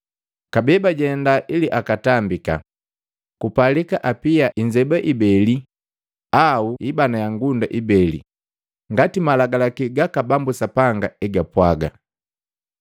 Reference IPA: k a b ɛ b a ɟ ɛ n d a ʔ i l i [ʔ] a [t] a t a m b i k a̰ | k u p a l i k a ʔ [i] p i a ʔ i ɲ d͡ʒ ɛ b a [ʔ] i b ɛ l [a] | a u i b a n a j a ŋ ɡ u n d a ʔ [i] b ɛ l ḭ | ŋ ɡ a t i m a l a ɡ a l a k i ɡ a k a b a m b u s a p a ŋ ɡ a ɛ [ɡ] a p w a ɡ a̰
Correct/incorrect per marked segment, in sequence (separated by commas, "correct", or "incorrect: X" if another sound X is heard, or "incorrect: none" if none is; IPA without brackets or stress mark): correct, incorrect: k, incorrect: a, correct, incorrect: i, correct, correct